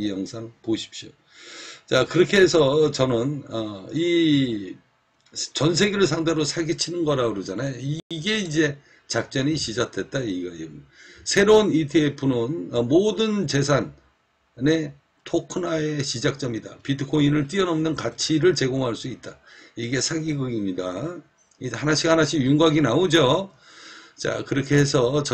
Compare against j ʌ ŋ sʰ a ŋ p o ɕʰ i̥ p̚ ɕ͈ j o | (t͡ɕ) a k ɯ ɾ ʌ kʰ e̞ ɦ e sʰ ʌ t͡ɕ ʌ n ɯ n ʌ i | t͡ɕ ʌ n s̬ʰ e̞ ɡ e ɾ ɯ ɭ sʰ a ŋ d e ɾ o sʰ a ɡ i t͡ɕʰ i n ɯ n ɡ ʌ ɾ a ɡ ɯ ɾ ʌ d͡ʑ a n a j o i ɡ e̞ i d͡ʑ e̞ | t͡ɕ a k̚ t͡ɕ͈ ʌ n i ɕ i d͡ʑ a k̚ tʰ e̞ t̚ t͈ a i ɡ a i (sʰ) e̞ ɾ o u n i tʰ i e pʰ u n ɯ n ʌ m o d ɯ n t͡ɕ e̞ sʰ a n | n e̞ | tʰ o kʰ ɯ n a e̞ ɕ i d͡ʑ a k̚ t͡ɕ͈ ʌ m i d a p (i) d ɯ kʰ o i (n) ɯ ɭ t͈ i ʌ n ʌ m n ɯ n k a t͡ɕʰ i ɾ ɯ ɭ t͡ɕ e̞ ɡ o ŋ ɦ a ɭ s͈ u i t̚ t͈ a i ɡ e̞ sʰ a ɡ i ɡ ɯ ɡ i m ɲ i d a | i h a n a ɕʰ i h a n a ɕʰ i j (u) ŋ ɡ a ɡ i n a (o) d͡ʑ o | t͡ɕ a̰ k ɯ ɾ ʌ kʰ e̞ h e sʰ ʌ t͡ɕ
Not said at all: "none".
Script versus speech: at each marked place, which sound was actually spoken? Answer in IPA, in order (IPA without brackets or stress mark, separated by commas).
t͡ɕ, sʰ, i, n, u, o